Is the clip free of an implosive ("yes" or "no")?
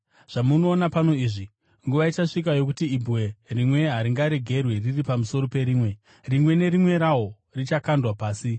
yes